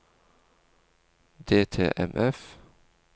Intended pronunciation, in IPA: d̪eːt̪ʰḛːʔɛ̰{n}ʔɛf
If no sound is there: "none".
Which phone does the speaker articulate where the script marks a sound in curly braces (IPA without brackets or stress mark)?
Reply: m